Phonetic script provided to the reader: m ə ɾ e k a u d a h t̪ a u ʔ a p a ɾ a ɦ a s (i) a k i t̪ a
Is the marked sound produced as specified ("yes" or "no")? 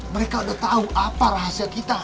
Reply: yes